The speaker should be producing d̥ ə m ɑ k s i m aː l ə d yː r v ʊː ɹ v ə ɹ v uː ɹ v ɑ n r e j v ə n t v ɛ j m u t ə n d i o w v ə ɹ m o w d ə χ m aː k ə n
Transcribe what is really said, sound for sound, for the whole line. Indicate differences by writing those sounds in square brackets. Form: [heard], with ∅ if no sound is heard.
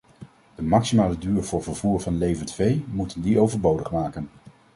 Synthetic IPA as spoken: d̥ ə m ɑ k s i m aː l ə d yː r v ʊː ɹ v ə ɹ v uː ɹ v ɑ n [l] e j v ə n t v [e] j m u t ə n d i o w v ə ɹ [b] o w d ə χ m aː k ə n